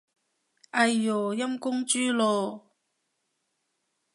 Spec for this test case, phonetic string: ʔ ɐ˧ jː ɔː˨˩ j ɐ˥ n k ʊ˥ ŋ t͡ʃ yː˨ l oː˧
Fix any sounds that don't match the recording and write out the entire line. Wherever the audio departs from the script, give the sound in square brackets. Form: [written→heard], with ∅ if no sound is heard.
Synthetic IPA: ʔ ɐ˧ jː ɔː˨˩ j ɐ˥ [n→m] k ʊ˥ ŋ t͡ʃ [yː˨→yː˥] l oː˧